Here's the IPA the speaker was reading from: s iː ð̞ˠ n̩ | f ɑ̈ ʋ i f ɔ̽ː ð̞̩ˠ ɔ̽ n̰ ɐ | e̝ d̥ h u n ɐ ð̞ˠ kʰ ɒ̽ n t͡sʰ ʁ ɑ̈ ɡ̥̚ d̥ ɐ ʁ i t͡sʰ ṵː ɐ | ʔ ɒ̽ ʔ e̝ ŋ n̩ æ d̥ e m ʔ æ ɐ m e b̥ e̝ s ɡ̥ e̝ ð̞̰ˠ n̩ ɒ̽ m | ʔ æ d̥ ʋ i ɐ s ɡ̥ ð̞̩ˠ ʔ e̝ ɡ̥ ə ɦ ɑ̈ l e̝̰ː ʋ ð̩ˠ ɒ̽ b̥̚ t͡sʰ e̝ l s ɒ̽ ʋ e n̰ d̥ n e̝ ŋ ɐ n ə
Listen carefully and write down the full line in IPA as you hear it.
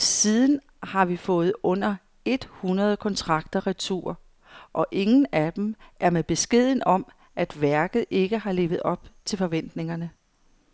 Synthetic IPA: s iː ð̞ˠ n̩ | h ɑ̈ ʋ i f ɔ̽ː ð̞̩ˠ ɔ̽ n̰ ɐ | e̝ d̥ h u n ɐ ð̞ˠ kʰ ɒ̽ n t͡sʰ ʁ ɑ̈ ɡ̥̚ d̥ ɐ ʁ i t͡sʰ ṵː ɐ | ʔ ɒ̽ ʔ e̝ ŋ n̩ æ d̥ e m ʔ æ ɐ m e b̥ e̝ s ɡ̥ e̝ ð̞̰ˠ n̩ ɒ̽ m | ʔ æ d̥ ʋ æ ɐ ɡ̥ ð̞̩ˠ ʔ e̝ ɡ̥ ə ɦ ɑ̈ l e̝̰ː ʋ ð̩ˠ ɒ̽ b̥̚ t͡sʰ e̝ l f ɒ̽ ʋ e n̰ d̥ n e̝ ŋ ɐ n ə